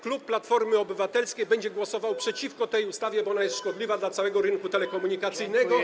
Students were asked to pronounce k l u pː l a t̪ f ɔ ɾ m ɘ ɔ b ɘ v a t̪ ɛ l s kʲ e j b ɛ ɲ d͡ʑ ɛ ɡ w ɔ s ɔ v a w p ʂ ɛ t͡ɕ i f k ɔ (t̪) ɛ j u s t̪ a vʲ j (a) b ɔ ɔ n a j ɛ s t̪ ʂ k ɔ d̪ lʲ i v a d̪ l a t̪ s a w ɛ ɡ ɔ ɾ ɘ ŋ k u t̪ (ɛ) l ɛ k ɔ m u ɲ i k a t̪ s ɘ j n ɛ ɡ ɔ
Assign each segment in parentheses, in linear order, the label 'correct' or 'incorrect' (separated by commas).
correct, incorrect, correct